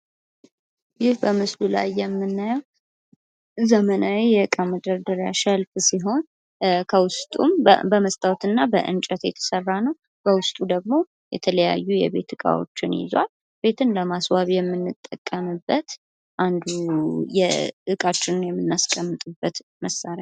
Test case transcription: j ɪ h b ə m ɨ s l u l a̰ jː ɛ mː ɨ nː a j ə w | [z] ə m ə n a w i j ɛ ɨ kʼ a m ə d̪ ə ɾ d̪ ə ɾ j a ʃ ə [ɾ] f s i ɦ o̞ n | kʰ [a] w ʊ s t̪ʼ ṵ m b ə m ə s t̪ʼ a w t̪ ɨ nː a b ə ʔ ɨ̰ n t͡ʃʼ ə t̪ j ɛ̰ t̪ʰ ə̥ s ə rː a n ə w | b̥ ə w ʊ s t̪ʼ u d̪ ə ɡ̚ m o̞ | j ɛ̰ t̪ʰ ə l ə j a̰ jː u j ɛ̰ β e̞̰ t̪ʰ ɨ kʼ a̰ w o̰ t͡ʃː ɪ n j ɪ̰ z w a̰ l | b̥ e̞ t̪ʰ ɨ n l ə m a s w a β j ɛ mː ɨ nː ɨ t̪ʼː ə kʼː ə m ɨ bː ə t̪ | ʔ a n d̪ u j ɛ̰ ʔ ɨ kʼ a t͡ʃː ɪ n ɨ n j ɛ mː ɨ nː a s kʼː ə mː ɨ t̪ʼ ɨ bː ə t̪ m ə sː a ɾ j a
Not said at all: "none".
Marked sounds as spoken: z, l, ə

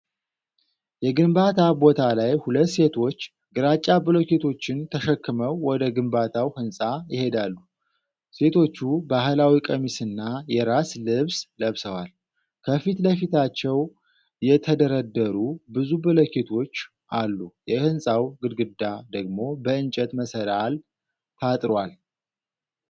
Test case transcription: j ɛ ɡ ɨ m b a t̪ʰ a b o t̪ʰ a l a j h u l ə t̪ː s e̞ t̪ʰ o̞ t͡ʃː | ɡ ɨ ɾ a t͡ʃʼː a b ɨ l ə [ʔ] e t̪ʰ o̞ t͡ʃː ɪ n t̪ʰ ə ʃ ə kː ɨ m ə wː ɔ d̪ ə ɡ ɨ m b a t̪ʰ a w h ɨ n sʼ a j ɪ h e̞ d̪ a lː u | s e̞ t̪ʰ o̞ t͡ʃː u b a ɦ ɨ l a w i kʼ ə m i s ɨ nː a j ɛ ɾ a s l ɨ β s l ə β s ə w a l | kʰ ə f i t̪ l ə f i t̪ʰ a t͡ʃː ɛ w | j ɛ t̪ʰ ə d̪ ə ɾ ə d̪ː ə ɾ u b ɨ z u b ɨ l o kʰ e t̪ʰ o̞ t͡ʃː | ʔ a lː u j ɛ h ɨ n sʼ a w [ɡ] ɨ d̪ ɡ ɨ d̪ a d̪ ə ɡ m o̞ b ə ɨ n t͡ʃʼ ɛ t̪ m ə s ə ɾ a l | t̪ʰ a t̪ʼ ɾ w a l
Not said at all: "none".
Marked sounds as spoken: k, ɡ

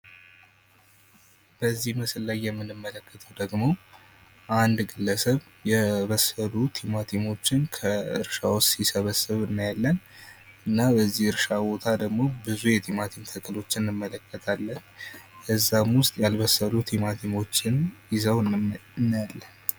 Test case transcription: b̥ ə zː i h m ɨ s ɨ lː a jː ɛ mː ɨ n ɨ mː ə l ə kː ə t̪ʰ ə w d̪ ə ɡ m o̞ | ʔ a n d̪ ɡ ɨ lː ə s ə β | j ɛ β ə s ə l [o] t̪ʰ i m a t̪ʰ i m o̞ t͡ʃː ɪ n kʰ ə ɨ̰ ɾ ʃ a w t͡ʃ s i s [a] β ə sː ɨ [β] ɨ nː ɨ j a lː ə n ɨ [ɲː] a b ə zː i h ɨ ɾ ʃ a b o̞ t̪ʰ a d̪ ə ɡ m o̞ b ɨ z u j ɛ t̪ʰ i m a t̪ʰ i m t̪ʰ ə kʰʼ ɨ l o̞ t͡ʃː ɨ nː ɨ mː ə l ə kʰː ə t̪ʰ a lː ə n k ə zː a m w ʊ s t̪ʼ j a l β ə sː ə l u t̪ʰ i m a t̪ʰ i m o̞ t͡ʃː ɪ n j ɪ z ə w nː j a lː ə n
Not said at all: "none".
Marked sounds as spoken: u, ə, β, nː

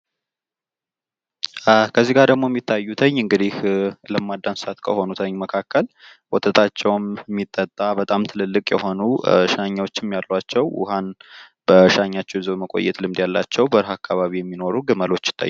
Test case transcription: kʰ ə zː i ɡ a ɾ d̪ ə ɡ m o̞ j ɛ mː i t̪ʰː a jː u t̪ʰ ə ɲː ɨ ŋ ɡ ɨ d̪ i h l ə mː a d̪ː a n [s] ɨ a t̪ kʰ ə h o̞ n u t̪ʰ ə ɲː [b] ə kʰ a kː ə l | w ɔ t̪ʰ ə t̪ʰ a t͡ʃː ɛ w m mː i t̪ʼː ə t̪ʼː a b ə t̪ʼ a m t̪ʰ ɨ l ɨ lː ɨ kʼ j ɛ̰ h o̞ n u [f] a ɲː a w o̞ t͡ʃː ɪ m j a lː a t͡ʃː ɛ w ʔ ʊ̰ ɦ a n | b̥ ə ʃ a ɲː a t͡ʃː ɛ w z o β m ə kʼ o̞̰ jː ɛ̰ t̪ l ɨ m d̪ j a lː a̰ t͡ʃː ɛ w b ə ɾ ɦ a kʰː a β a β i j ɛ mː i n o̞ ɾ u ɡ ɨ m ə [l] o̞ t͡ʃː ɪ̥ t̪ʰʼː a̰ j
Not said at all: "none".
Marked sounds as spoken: s, m, ʃ, l

